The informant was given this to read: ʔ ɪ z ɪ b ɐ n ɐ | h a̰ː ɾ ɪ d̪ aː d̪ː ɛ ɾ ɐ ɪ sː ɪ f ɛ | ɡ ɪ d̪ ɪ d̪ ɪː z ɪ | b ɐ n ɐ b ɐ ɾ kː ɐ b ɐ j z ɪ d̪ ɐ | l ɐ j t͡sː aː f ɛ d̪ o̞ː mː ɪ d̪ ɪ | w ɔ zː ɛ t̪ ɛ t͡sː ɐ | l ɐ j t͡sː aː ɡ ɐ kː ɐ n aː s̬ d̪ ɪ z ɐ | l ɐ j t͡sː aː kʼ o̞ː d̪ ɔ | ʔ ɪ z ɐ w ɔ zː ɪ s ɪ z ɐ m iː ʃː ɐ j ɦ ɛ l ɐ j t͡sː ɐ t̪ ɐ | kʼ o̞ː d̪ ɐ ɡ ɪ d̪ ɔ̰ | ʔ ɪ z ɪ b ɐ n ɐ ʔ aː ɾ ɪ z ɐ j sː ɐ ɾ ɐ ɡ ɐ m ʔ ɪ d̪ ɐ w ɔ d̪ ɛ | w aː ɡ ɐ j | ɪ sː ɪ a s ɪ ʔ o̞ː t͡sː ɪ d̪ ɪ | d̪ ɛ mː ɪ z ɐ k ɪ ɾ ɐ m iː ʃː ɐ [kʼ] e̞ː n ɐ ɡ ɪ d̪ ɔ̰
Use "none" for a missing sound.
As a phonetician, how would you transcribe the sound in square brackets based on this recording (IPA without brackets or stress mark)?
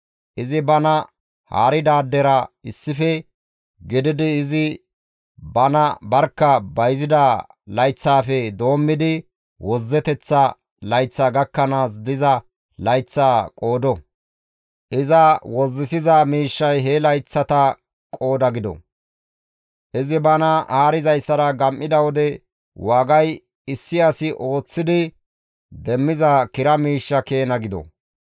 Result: k